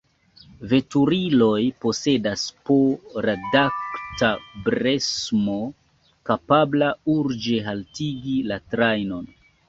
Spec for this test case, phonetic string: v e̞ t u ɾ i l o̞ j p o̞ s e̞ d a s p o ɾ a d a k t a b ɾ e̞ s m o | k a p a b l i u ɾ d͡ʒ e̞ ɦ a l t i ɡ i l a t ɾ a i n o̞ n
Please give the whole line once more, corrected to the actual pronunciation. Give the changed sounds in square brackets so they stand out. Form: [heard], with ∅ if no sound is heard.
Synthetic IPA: v e̞ t u ɾ i l o̞ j p o̞ s e̞ d a s p o ɾ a d a k t a b ɾ e̞ s m o | k a p a b l [a] u ɾ d͡ʒ e̞ ɦ a l t i ɡ i l a t ɾ a [j] n o̞ n